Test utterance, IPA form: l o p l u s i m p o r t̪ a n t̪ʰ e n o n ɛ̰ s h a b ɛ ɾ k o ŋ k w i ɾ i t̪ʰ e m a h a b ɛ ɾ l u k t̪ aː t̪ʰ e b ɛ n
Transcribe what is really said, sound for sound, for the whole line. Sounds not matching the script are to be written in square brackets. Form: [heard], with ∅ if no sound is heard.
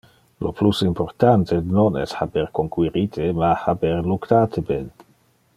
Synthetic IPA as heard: l o p l u s i m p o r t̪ a n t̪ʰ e n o n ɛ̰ s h a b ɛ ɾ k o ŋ k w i ɾ i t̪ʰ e m a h a b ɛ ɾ l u k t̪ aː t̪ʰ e b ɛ n